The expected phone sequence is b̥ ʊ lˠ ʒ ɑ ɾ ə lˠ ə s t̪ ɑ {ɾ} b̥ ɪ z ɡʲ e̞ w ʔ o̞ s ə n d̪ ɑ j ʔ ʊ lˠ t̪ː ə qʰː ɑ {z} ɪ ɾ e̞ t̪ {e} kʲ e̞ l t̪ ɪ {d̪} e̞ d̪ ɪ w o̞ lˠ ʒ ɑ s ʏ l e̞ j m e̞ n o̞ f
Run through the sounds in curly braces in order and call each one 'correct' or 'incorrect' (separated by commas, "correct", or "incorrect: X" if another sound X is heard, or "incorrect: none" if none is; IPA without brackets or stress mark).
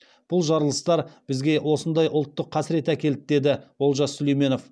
correct, incorrect: s, incorrect: æ, correct